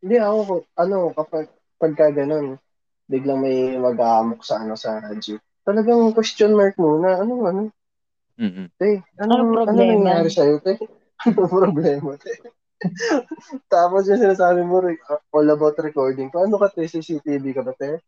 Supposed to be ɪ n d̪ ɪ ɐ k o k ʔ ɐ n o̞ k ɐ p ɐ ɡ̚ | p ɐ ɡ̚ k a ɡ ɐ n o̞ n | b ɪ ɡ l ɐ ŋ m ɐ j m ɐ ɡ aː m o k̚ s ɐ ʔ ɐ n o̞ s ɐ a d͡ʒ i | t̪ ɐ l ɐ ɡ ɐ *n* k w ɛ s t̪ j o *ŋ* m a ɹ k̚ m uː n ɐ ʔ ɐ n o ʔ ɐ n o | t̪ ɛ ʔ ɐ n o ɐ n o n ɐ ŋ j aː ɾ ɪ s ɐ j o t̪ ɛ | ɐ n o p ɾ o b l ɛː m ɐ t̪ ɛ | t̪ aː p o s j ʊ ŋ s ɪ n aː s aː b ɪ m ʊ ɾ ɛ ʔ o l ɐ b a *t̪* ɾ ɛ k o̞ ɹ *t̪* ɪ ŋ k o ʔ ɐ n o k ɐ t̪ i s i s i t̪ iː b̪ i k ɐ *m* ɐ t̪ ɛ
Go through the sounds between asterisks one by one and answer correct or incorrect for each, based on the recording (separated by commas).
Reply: incorrect, incorrect, correct, incorrect, incorrect